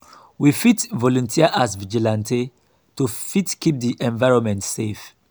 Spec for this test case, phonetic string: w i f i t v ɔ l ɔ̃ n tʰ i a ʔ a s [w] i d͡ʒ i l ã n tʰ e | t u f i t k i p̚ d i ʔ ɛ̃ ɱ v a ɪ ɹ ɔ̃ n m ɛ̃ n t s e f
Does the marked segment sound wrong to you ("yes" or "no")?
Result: yes